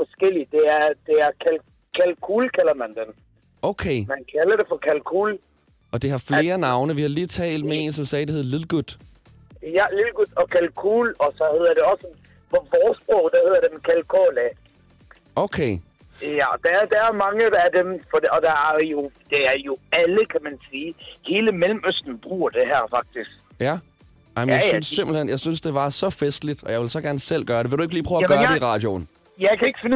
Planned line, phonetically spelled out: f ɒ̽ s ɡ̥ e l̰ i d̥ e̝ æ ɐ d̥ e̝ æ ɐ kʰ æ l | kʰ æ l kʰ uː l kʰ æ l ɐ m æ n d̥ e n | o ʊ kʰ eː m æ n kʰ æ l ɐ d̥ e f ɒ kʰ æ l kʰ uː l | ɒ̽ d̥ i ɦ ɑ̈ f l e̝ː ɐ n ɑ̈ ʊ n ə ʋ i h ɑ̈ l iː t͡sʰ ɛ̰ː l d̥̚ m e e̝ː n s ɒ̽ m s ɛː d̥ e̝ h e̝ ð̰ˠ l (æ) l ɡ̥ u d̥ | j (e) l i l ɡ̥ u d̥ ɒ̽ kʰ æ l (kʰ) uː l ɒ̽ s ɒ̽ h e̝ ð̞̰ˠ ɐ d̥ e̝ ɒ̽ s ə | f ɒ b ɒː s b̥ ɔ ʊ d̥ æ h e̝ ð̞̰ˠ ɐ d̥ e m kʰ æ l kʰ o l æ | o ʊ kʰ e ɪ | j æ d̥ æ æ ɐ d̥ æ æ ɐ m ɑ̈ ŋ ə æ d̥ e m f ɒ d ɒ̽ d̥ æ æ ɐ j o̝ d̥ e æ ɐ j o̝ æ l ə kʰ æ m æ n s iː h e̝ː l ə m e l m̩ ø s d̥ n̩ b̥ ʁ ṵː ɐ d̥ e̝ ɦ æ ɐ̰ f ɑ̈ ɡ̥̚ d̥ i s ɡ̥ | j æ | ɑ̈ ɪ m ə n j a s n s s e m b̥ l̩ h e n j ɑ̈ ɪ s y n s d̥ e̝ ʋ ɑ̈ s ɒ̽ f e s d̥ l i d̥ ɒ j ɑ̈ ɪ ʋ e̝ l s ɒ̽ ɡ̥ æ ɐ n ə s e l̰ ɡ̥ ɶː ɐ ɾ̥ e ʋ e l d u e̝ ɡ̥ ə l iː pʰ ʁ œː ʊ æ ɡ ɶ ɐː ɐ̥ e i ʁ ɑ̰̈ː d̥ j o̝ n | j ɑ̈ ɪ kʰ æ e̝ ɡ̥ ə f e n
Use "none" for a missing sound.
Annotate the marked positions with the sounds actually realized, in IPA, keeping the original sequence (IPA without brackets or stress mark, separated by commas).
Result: i, æ, kʰ